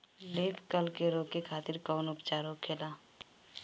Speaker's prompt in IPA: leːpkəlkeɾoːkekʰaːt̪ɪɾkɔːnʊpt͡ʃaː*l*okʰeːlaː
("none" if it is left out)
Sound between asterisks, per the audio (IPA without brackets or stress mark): ɾ